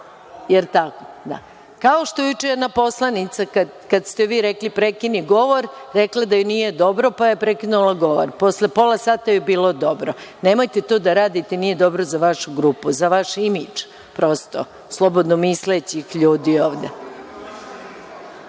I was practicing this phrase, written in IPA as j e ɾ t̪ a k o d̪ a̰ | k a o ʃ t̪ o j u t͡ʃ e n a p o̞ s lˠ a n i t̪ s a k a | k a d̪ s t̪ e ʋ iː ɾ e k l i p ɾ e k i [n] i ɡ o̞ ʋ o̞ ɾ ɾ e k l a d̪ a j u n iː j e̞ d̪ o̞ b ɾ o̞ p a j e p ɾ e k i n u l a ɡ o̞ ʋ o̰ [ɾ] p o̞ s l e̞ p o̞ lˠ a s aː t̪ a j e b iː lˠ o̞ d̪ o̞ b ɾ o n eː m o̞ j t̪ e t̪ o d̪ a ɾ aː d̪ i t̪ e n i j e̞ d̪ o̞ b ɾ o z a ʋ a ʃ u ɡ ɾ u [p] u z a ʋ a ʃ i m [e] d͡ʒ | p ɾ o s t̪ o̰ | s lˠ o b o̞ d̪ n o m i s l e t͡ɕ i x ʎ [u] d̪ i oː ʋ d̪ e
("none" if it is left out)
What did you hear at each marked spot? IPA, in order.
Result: n, ɾ, p, i, uː

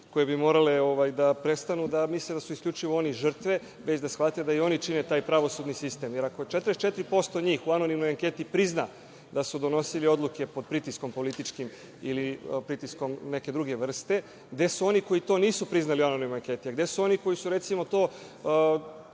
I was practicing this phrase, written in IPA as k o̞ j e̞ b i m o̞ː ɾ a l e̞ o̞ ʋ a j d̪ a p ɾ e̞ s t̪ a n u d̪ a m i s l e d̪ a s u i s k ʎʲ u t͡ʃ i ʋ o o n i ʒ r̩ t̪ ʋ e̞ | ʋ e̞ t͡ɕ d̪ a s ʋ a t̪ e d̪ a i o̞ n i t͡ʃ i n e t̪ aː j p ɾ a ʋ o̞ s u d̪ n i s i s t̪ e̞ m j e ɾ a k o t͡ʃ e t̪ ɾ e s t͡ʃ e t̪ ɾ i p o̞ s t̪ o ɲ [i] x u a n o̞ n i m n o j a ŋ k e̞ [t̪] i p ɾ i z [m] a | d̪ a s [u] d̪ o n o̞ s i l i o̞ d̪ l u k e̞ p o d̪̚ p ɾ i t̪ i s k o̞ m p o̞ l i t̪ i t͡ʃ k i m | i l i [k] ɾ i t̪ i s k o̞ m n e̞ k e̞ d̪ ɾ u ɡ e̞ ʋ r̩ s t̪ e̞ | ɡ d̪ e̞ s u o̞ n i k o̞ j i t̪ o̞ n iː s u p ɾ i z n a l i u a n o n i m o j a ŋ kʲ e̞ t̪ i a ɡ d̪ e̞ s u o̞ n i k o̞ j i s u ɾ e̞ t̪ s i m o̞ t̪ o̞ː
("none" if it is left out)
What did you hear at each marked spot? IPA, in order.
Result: iː, t̪, n, u, p

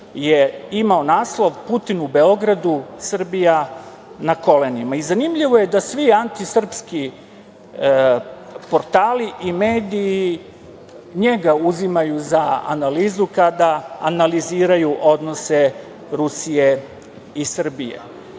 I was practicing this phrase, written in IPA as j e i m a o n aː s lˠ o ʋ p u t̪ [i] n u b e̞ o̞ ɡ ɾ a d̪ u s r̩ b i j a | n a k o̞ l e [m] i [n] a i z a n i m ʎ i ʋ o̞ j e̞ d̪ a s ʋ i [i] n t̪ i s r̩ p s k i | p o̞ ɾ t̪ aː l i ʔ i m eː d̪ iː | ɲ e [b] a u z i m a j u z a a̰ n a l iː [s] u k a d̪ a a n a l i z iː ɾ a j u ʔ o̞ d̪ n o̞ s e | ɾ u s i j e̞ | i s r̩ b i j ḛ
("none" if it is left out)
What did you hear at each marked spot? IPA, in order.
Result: i, n, m, a, ɡ, z

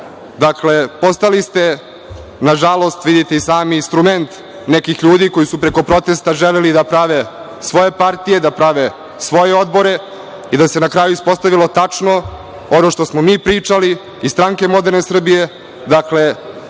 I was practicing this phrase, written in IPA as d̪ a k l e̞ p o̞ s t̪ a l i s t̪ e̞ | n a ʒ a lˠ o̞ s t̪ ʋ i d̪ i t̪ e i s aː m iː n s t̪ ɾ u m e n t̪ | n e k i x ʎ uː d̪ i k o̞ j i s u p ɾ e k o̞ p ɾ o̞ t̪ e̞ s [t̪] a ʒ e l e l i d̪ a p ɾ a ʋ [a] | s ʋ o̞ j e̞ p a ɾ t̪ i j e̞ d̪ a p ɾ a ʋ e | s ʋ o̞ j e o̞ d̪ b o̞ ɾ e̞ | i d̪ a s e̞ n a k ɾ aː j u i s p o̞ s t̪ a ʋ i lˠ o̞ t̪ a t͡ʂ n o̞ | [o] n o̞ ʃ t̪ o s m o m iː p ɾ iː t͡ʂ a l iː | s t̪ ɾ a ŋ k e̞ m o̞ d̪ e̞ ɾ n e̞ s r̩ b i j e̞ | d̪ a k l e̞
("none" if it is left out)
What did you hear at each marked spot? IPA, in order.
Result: t̪, e, o

